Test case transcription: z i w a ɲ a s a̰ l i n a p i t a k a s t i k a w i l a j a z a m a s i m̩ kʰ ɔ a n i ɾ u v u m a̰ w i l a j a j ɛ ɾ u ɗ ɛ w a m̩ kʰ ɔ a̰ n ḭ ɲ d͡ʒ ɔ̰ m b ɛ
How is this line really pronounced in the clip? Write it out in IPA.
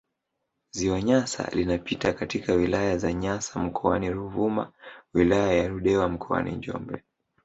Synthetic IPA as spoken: z i w a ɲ a s a̰ l i n a p i t a k a t i k a w i l a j a z a ɲ a s a m̩ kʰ ɔ a n i ɾ u v u m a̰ w i l a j a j a ɾ u ɗ ɛ w a m̩ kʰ ɔ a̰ n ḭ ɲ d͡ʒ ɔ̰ m b ɛ